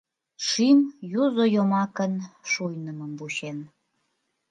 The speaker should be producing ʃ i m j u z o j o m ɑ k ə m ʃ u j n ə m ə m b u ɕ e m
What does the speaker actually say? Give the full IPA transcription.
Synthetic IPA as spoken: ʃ i m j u z o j o m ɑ k ə n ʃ u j n ə m ə m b u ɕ e n